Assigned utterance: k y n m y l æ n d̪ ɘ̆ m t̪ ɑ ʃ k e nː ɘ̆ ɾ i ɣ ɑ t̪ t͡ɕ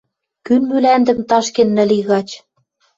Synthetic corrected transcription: k y n m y l æ n d̪ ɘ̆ m t̪ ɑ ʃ k e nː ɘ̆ l i ɣ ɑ t͡ɕ